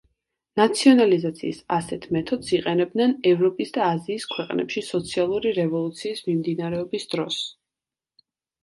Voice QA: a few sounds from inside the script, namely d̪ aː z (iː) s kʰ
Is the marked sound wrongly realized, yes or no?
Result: no